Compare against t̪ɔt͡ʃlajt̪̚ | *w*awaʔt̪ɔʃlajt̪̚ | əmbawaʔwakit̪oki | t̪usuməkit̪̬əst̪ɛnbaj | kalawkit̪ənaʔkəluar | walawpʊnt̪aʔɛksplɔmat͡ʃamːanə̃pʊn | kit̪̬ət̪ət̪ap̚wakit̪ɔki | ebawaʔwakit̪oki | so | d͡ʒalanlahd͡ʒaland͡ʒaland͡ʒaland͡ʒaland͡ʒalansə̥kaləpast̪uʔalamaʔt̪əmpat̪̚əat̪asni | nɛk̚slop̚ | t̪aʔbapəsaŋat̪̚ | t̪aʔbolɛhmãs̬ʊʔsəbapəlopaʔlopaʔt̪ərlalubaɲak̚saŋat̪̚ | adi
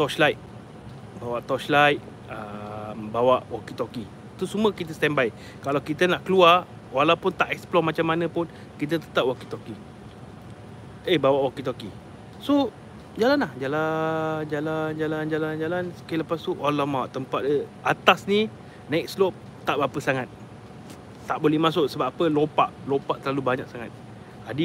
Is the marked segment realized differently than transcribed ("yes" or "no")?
yes